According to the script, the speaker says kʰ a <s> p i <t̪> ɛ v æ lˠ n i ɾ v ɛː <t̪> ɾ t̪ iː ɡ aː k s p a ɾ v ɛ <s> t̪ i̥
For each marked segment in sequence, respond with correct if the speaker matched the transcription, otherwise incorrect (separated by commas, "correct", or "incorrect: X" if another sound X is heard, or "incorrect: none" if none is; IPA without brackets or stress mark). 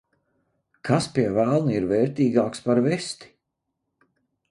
correct, incorrect: none, incorrect: none, correct